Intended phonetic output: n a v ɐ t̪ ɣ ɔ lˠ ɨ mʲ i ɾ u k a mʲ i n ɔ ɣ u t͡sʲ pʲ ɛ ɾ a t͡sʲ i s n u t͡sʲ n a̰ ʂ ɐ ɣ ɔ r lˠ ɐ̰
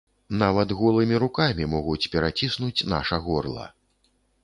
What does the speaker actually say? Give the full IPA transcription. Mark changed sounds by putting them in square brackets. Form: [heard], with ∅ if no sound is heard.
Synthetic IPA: n a v ɐ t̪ ɣ ɔ lˠ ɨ mʲ i ɾ u k a mʲ i [m] ɔ ɣ u t͡sʲ pʲ ɛ ɾ a t͡sʲ i s n u t͡sʲ n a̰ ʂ ɐ ɣ ɔ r lˠ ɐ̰